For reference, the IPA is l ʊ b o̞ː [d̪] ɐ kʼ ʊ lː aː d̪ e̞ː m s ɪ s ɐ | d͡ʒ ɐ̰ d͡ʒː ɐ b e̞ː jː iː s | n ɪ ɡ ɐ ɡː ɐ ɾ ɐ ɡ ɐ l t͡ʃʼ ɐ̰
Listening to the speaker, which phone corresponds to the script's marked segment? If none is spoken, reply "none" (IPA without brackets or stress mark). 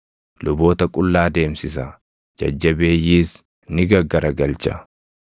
t̪